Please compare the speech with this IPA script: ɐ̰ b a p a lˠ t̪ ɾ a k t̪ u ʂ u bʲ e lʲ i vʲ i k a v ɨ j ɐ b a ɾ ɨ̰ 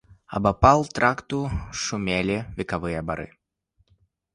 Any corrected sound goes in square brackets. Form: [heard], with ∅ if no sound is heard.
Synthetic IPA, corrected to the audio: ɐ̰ b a p a lˠ t̪ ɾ a k t̪ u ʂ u [mʲ] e lʲ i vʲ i k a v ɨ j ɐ b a ɾ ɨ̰

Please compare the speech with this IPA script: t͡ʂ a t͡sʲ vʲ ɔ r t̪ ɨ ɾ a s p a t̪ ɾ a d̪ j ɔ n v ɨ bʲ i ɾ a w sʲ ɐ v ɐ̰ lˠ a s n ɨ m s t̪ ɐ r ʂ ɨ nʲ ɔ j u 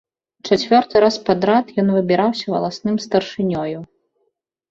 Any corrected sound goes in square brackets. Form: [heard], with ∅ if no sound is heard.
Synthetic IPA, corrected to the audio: t͡ʂ a t͡sʲ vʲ ɔ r t̪ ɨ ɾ a s p a [d̪] ɾ a [t̪] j ɔ n v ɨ bʲ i ɾ a w sʲ ɐ v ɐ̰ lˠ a s n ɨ m s t̪ ɐ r ʂ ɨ nʲ ɔ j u

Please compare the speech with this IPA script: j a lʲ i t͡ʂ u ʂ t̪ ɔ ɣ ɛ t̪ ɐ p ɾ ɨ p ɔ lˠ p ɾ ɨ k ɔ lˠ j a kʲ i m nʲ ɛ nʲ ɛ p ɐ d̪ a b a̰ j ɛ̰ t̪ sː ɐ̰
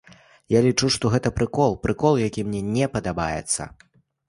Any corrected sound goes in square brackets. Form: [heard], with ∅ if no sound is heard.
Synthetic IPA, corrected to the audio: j a lʲ i t͡ʂ u ʂ t̪ ɔ ɣ ɛ t̪ ɐ p ɾ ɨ [k] ɔ lˠ p ɾ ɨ k ɔ lˠ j a kʲ i m nʲ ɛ nʲ ɛ p ɐ d̪ a b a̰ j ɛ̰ t̪ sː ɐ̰

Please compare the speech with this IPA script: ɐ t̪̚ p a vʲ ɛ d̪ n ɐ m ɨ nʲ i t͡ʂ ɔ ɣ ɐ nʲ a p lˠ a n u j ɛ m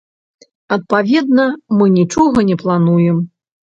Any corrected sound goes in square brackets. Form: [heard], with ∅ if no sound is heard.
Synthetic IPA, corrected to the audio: ɐ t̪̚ p a vʲ ɛ d̪ n ɐ m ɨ nʲ i t͡ʂ ɔ ɣ ɐ nʲ [ɛ] p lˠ a n u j ɛ m

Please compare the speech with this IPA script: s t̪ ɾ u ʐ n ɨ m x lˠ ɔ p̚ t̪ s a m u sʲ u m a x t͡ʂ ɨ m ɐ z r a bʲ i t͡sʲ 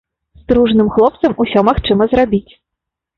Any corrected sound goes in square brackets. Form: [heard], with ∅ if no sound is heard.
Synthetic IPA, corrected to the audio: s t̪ ɾ u ʐ n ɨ m x lˠ ɔ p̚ t̪ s [ɐ] m u sʲ [ɔ] m a x t͡ʂ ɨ m ɐ z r a bʲ i t͡sʲ

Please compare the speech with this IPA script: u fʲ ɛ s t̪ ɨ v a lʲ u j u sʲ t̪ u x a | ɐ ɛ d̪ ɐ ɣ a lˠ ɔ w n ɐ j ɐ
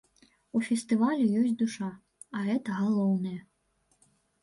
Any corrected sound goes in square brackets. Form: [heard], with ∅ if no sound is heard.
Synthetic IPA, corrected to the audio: u fʲ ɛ s t̪ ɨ v a lʲ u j [ɔ] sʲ [d̪] u [ʂ] a | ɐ ɛ [t̪] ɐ ɣ a lˠ ɔ w n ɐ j ɐ

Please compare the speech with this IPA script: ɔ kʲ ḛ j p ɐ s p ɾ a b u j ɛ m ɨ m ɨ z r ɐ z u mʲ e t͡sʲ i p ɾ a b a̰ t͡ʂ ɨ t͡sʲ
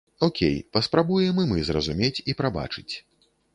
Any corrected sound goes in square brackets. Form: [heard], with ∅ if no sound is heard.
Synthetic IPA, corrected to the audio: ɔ kʲ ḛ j p ɐ s p ɾ a b u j ɛ m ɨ m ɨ z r ɐ z u mʲ e t͡sʲ i p ɾ a b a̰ t͡ʂ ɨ t͡sʲ

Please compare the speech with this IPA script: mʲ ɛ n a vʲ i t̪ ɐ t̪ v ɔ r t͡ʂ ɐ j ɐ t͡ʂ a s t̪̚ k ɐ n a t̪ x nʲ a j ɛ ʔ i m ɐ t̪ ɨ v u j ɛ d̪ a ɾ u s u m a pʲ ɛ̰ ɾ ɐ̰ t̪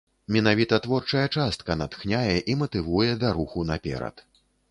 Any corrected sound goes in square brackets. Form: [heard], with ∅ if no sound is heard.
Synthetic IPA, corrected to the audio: mʲ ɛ n a vʲ i t̪ ɐ t̪ v ɔ r t͡ʂ ɐ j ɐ t͡ʂ a s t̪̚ k ɐ n a t̪ x nʲ a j ɛ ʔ i m ɐ t̪ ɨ v u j ɛ d̪ a ɾ u [x] u [n] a pʲ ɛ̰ ɾ ɐ̰ t̪

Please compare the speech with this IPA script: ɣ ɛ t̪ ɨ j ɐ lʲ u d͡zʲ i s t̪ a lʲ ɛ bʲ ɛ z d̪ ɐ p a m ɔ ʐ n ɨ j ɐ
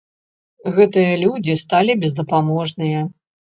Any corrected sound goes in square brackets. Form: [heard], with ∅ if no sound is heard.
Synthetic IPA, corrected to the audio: ɣ ɛ t̪ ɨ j ɐ lʲ u d͡zʲ i s t̪ a lʲ [i] bʲ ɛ z d̪ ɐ p a m ɔ ʐ n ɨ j ɐ

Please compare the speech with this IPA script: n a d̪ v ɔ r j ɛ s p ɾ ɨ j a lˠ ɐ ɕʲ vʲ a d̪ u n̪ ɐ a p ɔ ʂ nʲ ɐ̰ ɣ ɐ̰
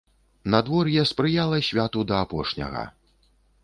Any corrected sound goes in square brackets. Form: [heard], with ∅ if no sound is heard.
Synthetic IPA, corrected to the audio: n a d̪ v ɔ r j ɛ s p ɾ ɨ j a lˠ ɐ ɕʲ vʲ a [t̪] u [d̪] ɐ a p ɔ ʂ nʲ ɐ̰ ɣ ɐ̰

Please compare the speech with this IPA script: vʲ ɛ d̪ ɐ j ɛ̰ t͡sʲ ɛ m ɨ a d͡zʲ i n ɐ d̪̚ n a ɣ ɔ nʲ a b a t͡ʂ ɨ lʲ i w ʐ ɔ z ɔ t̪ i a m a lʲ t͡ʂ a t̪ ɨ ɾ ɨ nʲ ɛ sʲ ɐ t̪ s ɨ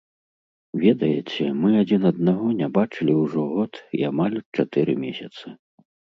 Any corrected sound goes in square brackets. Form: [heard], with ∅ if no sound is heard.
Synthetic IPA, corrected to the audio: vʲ ɛ d̪ ɐ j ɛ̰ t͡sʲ ɛ m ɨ a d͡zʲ i n ɐ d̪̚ n a ɣ ɔ nʲ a b a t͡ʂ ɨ lʲ i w ʐ ɔ [ɣ] ɔ t̪ i a m a lʲ t͡ʂ a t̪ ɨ ɾ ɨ [mʲ] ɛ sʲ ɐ t̪ s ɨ

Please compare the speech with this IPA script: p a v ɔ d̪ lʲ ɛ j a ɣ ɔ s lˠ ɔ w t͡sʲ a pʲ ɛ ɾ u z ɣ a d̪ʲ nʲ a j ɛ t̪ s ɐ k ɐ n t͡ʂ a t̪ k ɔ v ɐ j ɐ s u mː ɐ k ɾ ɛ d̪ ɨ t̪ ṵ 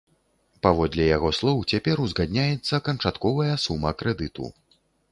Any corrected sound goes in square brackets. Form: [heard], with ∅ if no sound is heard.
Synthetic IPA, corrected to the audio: p a v ɔ d̪ lʲ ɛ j a ɣ ɔ s lˠ ɔ w t͡sʲ a pʲ ɛ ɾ u z ɣ a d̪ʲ nʲ a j ɛ t̪ [sː] ɐ k ɐ n t͡ʂ a t̪ k ɔ v ɐ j ɐ s u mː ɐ k ɾ ɛ d̪ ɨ t̪ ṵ

